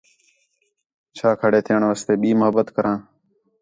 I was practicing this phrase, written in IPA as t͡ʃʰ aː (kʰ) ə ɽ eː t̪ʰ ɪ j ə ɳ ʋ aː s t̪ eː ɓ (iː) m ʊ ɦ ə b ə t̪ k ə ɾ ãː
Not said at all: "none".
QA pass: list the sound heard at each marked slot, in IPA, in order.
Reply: kʰ, iː

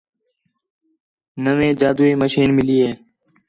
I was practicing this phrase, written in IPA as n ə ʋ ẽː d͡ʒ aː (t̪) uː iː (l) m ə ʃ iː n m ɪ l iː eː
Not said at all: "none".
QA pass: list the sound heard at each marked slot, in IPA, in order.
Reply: d̪, none

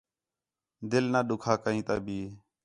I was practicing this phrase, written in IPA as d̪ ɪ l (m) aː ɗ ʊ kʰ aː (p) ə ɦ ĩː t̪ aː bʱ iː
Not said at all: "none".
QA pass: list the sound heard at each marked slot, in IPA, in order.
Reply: n, k

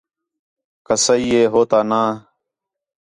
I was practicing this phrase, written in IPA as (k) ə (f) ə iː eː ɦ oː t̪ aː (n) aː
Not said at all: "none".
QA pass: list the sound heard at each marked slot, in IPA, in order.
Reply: k, s, n

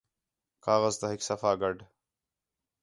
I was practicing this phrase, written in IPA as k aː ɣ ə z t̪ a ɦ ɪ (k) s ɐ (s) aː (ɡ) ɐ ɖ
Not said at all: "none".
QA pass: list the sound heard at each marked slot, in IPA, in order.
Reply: k, f, ɡ

